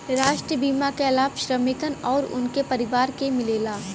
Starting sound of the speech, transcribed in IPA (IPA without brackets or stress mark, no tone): ɾ